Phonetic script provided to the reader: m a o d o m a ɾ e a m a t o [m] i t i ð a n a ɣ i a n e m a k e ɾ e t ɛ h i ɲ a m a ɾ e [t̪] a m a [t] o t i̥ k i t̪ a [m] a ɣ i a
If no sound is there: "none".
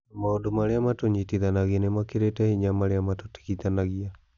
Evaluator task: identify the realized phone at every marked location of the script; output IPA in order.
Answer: ɲ, none, t, n

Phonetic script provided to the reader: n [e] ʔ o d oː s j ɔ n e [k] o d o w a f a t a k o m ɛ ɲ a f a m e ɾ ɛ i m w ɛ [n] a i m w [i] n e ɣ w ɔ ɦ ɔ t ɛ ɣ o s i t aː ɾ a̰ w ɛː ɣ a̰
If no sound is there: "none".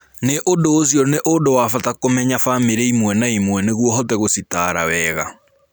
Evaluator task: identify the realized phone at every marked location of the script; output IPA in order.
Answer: e, ʔ, n, ɛ

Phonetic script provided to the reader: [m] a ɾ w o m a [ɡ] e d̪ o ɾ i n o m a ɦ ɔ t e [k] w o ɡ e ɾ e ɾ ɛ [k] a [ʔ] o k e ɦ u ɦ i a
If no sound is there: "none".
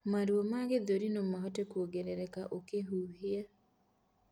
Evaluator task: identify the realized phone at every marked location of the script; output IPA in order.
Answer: m, ɡ, k, k, ʔ

